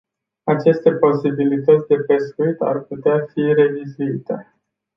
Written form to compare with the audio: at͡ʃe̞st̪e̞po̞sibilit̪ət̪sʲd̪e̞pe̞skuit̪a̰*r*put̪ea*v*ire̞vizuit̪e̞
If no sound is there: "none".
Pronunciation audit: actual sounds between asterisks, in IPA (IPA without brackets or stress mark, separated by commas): r, f